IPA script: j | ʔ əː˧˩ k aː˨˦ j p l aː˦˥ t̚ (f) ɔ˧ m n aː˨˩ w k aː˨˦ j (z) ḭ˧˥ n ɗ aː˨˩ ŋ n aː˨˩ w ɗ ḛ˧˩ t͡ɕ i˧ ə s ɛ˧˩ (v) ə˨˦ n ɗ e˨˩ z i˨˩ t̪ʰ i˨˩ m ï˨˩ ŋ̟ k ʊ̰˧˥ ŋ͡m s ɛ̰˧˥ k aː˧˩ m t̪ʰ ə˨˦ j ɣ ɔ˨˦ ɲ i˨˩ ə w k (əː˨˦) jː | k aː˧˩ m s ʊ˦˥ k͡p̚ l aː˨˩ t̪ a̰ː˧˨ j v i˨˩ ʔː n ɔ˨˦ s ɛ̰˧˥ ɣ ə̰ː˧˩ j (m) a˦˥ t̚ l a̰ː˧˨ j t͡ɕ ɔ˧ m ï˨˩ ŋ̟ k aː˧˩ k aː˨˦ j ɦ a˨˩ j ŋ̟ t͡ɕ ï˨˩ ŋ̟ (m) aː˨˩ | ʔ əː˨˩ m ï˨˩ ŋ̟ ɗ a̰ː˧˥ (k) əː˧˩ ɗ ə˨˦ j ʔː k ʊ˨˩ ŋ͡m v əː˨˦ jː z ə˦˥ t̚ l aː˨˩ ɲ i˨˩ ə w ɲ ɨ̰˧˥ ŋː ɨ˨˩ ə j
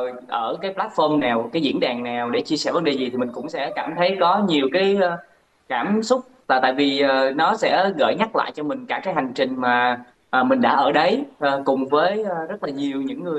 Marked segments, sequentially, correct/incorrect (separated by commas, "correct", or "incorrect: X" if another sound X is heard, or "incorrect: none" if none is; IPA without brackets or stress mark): correct, correct, correct, incorrect: aː˨˦, incorrect: ɲ, correct, incorrect: ʔ